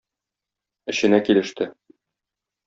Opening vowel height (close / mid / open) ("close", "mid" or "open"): mid